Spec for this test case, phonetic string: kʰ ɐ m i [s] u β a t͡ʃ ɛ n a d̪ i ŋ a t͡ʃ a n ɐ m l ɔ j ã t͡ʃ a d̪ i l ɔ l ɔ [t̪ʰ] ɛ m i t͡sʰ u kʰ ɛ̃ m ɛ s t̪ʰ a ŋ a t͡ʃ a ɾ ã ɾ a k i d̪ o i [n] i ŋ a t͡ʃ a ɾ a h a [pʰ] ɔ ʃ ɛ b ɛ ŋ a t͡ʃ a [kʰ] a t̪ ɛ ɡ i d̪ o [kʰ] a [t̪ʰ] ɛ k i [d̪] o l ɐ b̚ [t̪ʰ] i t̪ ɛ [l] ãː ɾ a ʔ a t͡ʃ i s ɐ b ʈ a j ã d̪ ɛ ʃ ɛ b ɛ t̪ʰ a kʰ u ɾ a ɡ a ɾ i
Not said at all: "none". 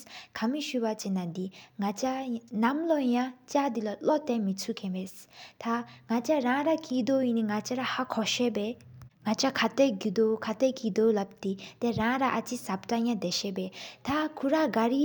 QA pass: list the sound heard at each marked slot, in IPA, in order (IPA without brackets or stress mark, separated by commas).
ʃ, t̪, n, kʰ, kʰ, kʰ, t̪, d̪, t̪, ɾ